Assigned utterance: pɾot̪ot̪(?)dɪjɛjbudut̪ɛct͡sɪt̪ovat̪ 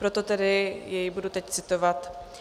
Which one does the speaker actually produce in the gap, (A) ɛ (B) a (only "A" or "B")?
A